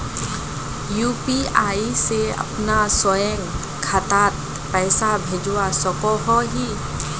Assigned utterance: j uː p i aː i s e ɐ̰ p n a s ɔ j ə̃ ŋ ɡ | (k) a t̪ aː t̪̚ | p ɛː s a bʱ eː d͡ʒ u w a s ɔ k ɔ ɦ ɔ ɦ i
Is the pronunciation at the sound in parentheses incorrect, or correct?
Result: incorrect